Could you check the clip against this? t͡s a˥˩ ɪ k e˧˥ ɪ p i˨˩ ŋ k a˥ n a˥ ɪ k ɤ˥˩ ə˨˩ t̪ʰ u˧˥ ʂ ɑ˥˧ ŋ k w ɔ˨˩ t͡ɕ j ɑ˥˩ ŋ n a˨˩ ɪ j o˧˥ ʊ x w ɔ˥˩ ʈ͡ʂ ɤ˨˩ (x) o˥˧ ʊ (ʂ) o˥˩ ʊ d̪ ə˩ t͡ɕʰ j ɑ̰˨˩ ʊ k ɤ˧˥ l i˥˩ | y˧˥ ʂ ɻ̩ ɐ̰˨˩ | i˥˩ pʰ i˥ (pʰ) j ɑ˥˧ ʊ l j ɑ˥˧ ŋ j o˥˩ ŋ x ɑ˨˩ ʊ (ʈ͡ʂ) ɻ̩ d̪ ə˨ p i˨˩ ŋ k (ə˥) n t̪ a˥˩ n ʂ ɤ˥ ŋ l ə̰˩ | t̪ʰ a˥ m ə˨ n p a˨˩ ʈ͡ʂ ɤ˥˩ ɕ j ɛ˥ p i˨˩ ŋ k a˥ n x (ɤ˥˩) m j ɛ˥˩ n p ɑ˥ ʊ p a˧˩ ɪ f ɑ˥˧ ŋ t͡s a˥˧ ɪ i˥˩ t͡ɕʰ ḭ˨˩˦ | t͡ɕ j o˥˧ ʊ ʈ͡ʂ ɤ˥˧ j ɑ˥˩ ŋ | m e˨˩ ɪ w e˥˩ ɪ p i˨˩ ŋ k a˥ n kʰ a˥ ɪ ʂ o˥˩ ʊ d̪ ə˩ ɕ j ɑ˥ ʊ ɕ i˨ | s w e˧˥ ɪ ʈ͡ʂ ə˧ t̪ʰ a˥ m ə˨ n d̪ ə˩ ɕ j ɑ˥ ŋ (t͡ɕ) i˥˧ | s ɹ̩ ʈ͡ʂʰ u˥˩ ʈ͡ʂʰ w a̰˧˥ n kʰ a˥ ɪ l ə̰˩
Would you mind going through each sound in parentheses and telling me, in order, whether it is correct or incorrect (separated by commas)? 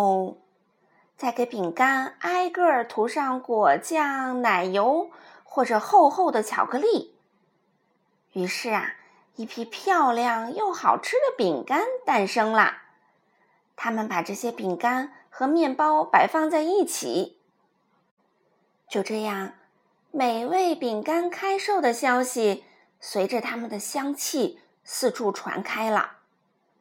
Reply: correct, incorrect, correct, incorrect, incorrect, incorrect, incorrect